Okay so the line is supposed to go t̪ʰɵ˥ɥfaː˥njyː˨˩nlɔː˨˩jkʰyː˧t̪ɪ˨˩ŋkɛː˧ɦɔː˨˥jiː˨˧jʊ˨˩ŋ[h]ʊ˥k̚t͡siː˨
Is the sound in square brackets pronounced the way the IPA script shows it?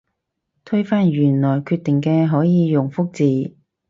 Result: no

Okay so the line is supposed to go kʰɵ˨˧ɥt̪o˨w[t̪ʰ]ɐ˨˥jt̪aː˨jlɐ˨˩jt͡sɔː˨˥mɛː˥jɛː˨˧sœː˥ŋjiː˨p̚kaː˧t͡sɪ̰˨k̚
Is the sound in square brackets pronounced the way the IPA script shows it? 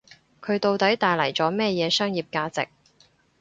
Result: no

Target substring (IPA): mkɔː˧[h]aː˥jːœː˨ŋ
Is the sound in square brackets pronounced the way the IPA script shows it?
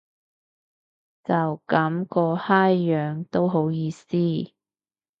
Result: yes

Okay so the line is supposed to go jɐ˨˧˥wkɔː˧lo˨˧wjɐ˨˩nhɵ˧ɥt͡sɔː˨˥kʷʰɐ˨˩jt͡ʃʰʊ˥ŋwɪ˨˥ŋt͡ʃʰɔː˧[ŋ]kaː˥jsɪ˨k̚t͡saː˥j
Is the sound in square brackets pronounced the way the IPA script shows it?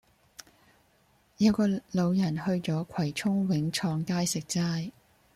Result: yes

